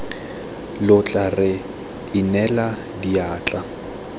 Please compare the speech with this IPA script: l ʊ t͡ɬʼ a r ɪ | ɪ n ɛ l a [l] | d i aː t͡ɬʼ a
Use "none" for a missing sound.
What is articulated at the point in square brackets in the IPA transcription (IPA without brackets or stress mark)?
none